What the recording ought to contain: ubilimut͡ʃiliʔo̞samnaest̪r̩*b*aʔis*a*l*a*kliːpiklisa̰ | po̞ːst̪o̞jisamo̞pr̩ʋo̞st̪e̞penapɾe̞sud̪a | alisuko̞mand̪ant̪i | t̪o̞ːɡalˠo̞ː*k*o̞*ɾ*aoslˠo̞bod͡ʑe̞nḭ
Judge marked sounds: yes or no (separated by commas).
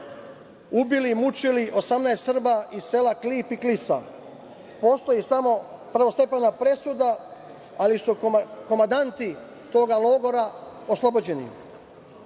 yes, no, yes, no, yes